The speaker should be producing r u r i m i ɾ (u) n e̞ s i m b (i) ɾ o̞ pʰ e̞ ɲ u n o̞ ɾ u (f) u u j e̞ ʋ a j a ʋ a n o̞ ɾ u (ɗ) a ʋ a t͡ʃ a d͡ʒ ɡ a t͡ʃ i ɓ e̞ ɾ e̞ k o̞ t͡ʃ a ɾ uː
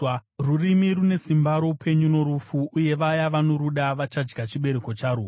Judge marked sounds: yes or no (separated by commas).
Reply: yes, no, yes, yes